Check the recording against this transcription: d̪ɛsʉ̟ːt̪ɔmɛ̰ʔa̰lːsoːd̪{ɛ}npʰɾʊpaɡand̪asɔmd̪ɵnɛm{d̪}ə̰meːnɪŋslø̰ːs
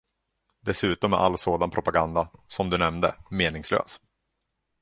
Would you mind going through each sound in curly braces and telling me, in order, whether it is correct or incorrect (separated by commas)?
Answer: incorrect, correct